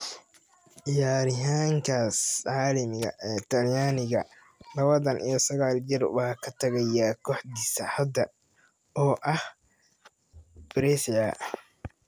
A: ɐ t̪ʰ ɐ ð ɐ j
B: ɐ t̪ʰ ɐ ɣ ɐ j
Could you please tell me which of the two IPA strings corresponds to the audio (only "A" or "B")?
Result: B